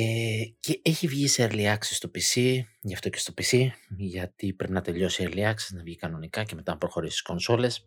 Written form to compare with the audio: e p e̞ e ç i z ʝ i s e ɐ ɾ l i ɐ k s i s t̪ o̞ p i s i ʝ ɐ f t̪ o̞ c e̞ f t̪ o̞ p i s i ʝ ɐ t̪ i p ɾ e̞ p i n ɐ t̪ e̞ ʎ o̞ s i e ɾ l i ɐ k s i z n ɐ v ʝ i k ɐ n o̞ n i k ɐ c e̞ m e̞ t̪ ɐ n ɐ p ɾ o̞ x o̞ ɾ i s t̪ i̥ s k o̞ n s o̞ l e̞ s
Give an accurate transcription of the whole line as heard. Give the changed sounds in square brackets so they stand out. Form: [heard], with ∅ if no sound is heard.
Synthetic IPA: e [c] e̞ e ç i [v] ʝ i s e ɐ ɾ l i ɐ k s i s t̪ o̞ p i s i ʝ ɐ f t̪ o̞ c e̞ [s] t̪ o̞ p i s i ʝ ɐ t̪ i p ɾ e̞ p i n ɐ t̪ e̞ ʎ o̞ s i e ɾ l i ɐ k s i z n ɐ v ʝ i k ɐ n o̞ n i k ɐ c e̞ m e̞ t̪ ɐ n ɐ p ɾ o̞ x o̞ ɾ i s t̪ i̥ s k o̞ n s o̞ l e̞ s